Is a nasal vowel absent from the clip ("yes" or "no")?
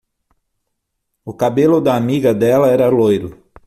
yes